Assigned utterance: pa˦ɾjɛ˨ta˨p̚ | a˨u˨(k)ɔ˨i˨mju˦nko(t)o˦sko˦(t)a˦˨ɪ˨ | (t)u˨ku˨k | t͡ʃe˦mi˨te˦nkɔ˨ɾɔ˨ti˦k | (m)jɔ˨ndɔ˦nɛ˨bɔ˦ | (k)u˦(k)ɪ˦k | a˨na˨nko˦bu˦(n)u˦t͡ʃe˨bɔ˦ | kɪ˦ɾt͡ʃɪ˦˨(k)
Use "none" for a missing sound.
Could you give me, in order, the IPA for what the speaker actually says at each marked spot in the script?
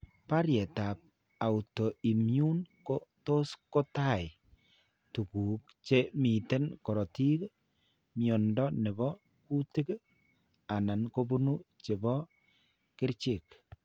t, t, t, t, m, k, t, n, k

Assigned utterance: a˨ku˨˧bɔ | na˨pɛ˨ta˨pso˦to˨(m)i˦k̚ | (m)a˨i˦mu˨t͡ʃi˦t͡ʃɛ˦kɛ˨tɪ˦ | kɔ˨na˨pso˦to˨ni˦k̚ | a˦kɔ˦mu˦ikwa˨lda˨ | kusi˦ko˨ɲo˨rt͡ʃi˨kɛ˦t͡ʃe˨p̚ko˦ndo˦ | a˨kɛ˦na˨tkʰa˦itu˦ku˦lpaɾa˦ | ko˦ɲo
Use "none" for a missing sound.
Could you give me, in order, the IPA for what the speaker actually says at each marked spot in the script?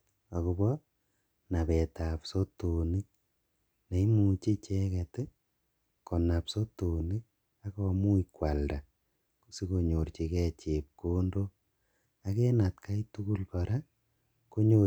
n, n

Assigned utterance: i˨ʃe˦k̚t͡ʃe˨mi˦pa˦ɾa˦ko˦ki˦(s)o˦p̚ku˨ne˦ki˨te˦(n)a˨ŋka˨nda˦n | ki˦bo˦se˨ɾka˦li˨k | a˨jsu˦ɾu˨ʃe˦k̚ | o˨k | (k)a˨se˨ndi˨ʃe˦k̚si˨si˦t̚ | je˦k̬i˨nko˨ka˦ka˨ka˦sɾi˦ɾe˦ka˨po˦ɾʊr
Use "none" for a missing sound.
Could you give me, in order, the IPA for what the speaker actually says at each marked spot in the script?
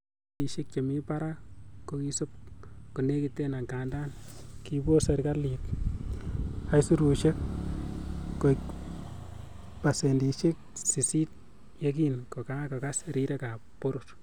s, n, p

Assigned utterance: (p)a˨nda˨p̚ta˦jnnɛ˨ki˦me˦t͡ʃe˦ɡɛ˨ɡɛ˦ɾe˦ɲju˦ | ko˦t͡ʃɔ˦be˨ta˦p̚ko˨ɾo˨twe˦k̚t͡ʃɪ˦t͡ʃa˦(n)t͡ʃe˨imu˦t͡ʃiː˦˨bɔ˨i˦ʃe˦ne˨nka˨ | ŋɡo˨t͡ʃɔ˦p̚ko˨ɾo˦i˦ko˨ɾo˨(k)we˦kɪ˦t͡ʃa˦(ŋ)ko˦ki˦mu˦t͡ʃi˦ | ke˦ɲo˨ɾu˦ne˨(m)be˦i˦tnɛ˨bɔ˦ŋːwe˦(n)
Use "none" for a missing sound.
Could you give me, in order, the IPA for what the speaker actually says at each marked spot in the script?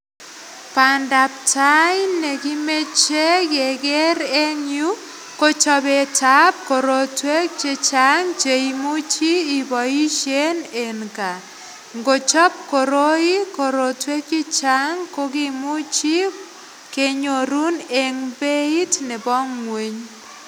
p, ŋ, t, ŋ, ŋ, ɲ

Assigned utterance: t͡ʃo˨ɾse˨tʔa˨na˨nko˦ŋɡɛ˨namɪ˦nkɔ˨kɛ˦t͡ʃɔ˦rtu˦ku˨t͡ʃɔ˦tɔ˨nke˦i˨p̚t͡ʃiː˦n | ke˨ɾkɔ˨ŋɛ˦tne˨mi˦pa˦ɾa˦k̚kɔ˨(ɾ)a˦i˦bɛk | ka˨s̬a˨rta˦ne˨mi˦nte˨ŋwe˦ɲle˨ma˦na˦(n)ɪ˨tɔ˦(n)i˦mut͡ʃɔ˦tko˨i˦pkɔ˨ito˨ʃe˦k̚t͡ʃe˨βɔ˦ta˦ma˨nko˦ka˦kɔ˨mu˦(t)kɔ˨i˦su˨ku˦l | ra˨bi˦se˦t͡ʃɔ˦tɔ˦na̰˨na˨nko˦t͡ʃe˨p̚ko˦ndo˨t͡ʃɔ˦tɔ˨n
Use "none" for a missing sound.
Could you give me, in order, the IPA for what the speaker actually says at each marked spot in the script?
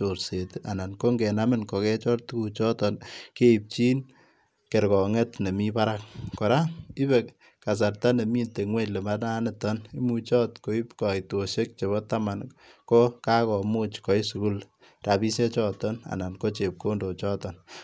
ɾ, n, n, t͡ʃ

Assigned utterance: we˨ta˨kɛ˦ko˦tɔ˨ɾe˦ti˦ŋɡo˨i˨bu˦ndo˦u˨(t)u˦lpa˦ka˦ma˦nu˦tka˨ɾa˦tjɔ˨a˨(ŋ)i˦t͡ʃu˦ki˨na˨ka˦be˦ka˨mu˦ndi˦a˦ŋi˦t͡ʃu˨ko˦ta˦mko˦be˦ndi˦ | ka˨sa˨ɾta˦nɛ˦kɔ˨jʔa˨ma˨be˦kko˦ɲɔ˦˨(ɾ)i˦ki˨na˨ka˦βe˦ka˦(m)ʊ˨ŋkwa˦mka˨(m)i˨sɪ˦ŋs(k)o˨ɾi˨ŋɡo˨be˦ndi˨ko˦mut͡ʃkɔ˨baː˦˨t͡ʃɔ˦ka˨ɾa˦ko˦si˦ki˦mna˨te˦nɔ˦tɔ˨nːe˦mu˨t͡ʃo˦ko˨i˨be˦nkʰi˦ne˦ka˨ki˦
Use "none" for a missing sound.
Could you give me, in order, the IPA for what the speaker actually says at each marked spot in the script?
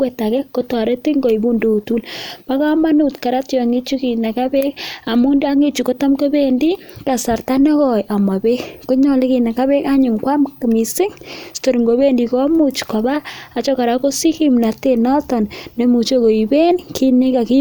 t, ŋ, l, ɲ, m, t

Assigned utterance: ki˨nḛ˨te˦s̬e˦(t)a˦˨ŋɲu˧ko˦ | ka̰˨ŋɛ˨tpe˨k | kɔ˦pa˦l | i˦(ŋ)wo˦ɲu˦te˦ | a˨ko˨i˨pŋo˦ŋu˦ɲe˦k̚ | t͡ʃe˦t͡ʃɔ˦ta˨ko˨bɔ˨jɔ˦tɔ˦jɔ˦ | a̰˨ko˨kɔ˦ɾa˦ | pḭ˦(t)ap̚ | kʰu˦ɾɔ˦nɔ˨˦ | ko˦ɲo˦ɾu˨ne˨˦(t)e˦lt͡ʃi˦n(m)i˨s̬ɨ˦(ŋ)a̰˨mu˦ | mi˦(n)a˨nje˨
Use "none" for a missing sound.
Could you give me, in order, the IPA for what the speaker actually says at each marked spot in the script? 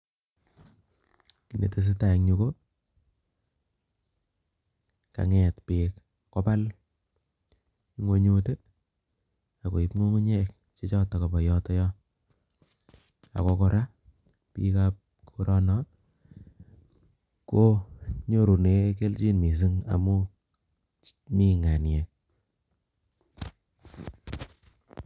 t, ŋ, k, k, m, ŋ, ŋ

